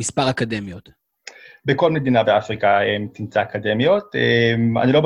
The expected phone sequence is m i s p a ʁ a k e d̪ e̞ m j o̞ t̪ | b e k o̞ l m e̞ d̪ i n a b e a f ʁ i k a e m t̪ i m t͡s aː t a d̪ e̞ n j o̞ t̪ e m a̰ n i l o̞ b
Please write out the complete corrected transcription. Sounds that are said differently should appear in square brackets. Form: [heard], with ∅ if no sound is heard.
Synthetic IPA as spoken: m i s p a ʁ a k [a] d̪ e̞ m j o̞ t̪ | b e k o̞ l m e̞ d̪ i n a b e a f ʁ i k a e m t̪ i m t͡s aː [k] a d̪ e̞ [m] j o̞ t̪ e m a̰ n i l o̞ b